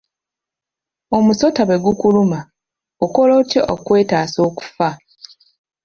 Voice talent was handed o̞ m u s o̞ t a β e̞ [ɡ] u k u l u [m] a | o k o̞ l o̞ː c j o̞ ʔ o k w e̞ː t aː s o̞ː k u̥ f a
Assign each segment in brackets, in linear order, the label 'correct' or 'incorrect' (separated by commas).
correct, correct